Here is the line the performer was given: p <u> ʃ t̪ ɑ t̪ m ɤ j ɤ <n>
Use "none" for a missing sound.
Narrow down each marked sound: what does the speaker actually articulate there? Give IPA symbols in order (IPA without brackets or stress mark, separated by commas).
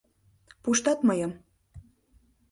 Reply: u, m